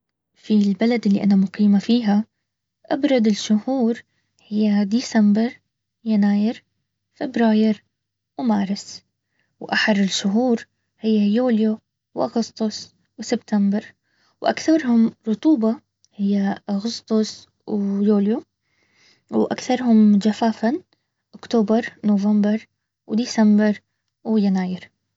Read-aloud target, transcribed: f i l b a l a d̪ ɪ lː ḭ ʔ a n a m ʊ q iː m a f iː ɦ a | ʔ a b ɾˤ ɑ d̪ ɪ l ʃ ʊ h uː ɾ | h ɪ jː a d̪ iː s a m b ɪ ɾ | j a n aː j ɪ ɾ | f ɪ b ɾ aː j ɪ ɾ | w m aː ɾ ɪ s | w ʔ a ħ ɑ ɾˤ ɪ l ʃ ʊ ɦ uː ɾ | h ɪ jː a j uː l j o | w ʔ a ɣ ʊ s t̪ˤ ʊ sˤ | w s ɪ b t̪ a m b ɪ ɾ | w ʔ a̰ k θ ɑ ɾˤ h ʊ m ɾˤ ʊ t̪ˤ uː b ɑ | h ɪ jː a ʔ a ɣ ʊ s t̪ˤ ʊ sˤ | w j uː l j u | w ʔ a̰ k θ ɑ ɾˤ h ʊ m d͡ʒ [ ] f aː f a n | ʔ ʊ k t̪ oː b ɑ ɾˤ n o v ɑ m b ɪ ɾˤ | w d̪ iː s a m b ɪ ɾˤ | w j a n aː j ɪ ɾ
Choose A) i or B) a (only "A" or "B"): B